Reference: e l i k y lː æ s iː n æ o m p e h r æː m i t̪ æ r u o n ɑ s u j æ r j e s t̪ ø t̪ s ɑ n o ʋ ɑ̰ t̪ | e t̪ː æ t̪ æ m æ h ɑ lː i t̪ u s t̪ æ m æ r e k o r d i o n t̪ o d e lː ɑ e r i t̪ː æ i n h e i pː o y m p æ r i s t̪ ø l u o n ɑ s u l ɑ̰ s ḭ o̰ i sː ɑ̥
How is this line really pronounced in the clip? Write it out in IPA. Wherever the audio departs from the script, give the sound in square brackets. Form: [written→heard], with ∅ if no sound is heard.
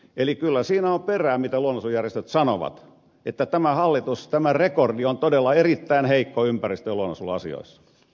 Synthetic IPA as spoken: e l i k y lː æ s iː n æ o m p e [h→∅] r æː m i t̪ æ [r→l] u o n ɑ s u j æ r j e s t̪ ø t̪ s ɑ n o ʋ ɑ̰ t̪ | e t̪ː æ t̪ æ m æ h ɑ lː i t̪ u s t̪ æ m æ r e k o r d i o n t̪ o d e lː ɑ e r i t̪ː æ i n h e i [pː→kː] o y m p æ r i s t̪ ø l u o n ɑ s u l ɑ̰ s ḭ o̰ i sː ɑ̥